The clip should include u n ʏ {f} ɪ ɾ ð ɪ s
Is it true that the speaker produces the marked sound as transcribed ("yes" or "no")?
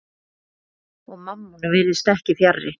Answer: no